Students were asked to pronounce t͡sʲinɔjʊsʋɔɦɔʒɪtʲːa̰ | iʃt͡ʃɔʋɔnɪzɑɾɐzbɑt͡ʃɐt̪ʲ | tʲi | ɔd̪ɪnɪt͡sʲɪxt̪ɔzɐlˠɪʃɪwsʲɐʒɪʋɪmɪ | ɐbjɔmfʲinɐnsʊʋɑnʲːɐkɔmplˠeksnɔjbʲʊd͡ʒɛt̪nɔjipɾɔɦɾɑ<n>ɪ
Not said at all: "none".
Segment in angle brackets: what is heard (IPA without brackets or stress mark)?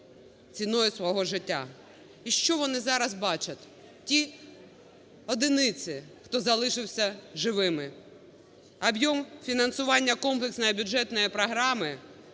m